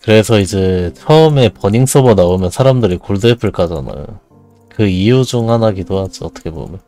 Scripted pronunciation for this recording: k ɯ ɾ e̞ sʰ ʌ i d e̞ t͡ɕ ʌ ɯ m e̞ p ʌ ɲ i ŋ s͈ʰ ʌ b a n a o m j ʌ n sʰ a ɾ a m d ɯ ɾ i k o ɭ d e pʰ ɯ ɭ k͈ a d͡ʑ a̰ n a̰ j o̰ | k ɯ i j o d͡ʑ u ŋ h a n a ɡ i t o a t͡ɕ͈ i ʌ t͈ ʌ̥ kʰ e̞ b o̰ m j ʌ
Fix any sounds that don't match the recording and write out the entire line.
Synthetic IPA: k ɯ ɾ e̞ sʰ ʌ i d͡ʑ e̞ t͡ɕʰ ʌ ɯ m e̞ p ʌ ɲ i ŋ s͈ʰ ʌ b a n a o m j ʌ n sʰ a ɾ a m d ɯ ɾ i k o ɭ d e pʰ ɯ ɭ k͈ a d͡ʑ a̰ n a̰ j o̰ | k ɯ i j u d͡ʑ u ŋ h a n a ɡ i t o a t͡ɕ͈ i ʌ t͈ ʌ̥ kʰ e̞ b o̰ m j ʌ